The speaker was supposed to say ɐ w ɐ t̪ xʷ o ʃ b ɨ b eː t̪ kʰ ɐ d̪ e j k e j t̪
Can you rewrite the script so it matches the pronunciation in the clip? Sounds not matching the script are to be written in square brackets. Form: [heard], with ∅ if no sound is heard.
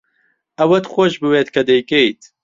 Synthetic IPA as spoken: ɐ w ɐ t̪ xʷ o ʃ b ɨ [w] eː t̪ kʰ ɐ d̪ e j k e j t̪